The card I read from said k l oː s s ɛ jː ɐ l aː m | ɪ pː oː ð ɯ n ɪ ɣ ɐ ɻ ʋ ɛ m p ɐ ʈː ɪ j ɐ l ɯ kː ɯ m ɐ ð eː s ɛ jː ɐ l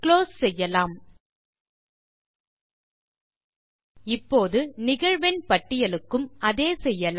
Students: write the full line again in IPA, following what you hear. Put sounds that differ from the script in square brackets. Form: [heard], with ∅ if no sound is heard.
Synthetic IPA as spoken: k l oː s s ɛ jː ɐ l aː m | ɪ pː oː ð ɯ n ɪ ɣ ɐ ɻ ʋ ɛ [n] p ɐ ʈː ɪ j ɐ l ɯ kː ɯ m ɐ ð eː s ɛ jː ɐ l